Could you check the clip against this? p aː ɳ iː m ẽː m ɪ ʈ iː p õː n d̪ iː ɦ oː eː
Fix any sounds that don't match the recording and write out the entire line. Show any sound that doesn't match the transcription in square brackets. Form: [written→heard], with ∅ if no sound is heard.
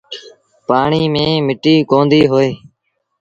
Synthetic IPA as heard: p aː ɳ iː m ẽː m ɪ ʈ iː [p→k] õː n d̪ iː ɦ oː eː